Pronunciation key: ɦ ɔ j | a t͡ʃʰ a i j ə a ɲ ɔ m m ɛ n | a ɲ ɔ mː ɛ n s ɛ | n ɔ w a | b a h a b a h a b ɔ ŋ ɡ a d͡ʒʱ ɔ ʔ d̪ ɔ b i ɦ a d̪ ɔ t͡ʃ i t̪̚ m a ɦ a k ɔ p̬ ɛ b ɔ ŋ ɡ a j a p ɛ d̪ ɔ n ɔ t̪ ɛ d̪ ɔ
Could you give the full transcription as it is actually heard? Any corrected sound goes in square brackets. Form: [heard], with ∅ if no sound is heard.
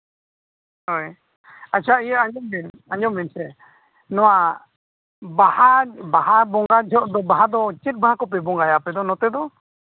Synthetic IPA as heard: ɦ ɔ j | a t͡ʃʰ a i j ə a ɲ ɔ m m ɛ n | a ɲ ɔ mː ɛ n s ɛ | n ɔ w a | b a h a b a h a b ɔ ŋ ɡ a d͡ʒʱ ɔ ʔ d̪ ɔ b [a] ɦ a d̪ ɔ t͡ʃ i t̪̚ [b] a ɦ a k ɔ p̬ ɛ b ɔ ŋ ɡ a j a p ɛ d̪ ɔ n ɔ t̪ ɛ d̪ ɔ